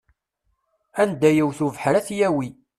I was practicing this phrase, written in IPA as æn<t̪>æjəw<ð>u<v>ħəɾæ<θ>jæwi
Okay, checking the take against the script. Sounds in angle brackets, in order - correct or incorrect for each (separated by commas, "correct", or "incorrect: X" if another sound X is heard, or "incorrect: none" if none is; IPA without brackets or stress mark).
incorrect: d̪, incorrect: θ, correct, correct